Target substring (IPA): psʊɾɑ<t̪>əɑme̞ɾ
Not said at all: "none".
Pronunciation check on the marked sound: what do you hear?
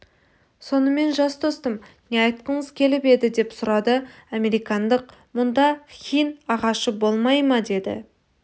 d̪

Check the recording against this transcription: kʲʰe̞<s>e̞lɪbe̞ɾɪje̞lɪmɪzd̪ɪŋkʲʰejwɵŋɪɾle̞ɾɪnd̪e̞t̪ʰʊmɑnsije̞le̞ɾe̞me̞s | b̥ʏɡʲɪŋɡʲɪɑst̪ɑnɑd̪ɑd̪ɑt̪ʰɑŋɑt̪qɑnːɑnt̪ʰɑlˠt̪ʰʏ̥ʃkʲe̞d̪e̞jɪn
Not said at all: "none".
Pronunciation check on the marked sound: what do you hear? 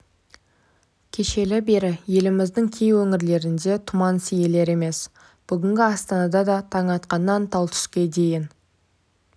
ʃ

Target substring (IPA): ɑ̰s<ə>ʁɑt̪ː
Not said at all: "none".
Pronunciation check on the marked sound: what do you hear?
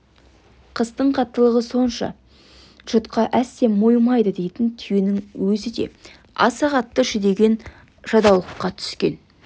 ɑ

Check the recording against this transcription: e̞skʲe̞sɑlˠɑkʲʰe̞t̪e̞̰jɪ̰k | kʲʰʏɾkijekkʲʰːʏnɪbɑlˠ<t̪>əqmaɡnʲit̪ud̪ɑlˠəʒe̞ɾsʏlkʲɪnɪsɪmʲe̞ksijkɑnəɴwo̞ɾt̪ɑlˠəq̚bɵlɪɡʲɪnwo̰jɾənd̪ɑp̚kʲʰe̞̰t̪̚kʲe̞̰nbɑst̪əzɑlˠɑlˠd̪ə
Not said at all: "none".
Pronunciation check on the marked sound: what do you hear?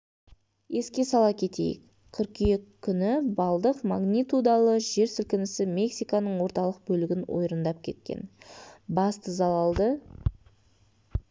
d̪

